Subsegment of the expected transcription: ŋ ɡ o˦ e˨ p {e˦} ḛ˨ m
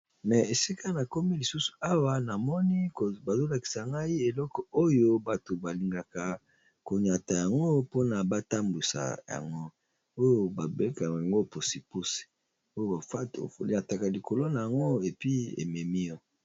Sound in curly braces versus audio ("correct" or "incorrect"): incorrect